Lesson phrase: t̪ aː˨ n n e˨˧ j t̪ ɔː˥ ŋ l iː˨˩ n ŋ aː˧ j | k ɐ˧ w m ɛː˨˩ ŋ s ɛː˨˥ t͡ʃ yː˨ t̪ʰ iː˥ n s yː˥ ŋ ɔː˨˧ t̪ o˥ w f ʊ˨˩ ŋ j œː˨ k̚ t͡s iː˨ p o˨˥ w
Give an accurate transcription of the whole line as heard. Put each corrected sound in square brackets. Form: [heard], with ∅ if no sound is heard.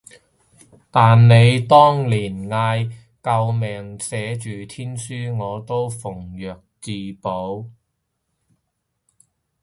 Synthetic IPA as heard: t̪ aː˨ n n e˨˧ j t̪ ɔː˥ ŋ l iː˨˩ n ŋ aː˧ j | k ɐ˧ w m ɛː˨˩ ŋ s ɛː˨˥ t͡ʃ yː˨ t̪ʰ iː˥ n s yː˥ ŋ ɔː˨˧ t̪ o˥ w f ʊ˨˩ ŋ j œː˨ k̚ t͡s iː˨ p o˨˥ w